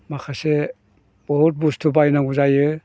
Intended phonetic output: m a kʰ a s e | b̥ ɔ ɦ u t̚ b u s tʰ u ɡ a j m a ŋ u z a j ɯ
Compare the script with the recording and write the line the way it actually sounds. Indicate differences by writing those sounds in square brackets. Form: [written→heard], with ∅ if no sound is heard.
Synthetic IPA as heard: m a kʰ a s e | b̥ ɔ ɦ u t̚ b u s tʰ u [ɡ→b] a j [m→n] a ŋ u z a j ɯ